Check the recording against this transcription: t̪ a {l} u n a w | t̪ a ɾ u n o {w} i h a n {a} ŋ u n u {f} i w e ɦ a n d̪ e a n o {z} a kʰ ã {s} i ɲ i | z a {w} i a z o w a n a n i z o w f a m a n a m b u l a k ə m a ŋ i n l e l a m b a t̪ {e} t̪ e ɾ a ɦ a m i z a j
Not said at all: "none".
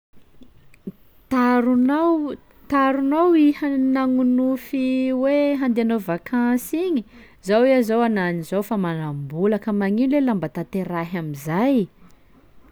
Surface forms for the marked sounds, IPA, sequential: ɾ, w, a, f, v, s, w, a

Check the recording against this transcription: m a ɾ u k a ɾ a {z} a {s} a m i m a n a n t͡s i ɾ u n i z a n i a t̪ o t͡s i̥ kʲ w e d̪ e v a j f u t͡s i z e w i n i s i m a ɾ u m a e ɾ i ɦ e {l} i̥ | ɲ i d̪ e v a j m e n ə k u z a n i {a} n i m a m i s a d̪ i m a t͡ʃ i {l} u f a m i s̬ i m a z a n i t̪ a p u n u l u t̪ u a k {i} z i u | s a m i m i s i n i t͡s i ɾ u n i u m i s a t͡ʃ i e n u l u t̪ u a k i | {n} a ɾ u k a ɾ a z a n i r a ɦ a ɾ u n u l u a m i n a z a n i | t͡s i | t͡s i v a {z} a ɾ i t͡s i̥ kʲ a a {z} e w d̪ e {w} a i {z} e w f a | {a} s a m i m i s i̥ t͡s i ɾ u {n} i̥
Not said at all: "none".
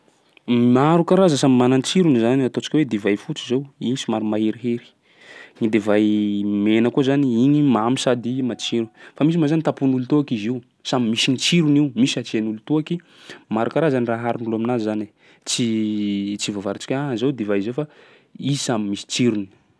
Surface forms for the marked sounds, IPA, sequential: z, s, ɾ, i, ɾ, i, m, v, z, v, z, i, n

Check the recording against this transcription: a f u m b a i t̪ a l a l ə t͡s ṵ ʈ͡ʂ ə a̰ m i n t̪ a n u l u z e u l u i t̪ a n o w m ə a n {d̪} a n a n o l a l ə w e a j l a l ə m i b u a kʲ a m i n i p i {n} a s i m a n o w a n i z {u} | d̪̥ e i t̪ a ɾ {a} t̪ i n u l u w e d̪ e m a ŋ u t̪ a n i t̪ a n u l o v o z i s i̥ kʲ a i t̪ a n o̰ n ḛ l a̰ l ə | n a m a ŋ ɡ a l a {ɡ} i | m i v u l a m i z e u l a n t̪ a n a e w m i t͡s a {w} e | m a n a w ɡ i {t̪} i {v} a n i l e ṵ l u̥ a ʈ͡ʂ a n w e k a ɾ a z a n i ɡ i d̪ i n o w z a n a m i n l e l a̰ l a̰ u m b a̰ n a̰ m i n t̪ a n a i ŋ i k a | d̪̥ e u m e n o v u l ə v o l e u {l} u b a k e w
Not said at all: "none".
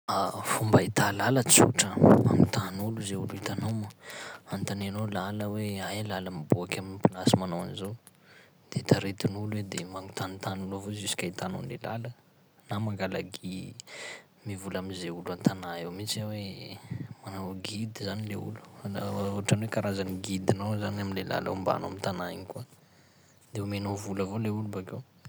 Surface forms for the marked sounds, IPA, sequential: t̪, n, o, e, ɡ, w, d̪, z, l

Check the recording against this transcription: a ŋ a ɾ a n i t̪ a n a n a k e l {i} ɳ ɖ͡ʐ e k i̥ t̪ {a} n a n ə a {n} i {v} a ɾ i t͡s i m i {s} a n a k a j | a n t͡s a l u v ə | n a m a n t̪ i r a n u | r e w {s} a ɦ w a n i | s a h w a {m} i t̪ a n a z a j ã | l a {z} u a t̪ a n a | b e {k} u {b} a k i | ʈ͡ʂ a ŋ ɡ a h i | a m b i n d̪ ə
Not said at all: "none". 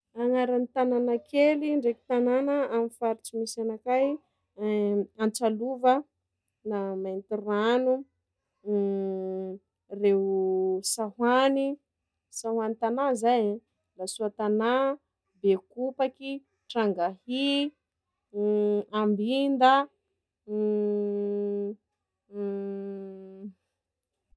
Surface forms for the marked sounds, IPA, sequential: i, a, m, f, s, s, n, s, k, p

